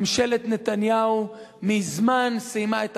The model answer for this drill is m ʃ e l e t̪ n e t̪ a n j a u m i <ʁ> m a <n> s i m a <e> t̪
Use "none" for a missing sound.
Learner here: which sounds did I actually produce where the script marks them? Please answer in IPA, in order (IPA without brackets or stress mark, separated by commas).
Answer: z, n, e